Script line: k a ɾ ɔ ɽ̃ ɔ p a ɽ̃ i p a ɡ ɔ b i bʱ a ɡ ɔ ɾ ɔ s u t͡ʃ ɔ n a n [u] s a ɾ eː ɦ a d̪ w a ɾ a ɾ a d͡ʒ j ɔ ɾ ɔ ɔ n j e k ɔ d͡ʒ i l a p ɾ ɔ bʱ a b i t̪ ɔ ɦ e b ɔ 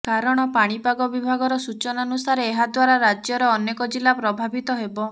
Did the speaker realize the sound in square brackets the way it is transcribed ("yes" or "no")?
yes